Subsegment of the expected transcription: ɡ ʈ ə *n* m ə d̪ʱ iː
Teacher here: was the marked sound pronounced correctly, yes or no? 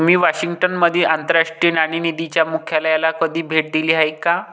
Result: yes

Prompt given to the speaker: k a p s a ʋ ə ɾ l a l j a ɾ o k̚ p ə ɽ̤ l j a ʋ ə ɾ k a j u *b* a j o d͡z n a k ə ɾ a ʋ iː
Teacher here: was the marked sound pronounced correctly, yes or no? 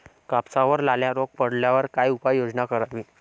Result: no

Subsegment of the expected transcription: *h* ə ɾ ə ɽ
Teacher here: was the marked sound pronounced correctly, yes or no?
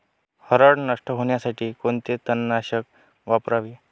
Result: yes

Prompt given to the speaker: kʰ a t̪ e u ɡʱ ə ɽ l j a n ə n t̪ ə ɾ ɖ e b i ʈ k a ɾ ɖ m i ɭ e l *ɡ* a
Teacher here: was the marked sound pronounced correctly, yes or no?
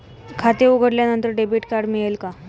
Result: no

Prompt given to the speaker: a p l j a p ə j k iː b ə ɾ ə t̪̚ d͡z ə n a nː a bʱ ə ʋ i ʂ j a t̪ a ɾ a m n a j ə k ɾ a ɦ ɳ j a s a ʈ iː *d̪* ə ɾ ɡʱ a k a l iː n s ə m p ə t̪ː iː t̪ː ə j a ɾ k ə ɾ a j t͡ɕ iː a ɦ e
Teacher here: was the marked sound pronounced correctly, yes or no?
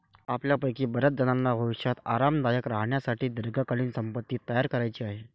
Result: yes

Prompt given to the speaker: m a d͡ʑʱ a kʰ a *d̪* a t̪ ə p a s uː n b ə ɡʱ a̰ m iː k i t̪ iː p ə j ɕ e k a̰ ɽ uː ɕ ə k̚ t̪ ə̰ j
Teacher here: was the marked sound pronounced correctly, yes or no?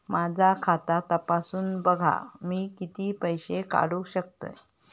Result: no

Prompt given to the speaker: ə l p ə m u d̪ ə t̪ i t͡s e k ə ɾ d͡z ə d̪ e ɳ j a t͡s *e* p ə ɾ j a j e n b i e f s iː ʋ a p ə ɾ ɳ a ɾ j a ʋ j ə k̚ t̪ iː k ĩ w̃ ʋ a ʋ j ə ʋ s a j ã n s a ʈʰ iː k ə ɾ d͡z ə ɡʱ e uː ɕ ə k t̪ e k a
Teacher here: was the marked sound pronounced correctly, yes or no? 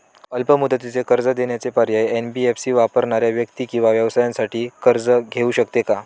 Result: yes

